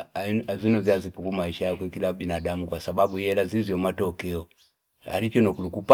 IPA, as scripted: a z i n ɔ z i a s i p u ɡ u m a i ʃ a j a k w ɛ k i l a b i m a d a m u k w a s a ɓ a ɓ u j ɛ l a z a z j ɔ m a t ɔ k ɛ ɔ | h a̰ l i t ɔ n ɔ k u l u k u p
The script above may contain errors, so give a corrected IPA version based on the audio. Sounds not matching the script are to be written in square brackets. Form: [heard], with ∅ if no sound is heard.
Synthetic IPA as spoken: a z i n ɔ z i a [z] i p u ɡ u m a i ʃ a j a k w ɛ k i l a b i [n] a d a m u k w a s a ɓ a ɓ u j ɛ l a z [i] z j ɔ m a t ɔ k ɛ ɔ | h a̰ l i [t͡ʃ] ɔ n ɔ k u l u k u p